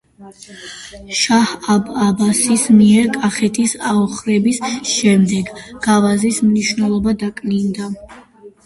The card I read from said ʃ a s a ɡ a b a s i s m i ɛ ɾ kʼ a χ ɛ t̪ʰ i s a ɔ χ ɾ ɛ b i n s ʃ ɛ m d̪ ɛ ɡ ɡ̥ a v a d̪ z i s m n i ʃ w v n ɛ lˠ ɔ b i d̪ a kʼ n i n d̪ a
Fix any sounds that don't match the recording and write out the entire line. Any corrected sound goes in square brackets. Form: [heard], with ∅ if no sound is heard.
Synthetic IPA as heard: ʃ a [h] a [b] a b a s i s m i ɛ ɾ kʼ a χ ɛ t̪ʰ i s a ɔ χ ɾ ɛ b i [∅] s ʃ ɛ m d̪ ɛ ɡ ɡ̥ a v a [∅] z i s m n i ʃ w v n ɛ lˠ ɔ b [a] d̪ a kʼ n i n d̪ a